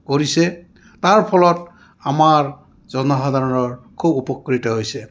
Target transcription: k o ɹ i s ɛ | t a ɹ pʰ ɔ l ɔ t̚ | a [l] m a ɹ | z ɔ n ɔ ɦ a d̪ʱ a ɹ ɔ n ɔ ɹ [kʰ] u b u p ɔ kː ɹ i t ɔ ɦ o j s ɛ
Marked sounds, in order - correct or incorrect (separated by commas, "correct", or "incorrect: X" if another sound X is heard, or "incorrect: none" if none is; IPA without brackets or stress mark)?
incorrect: none, correct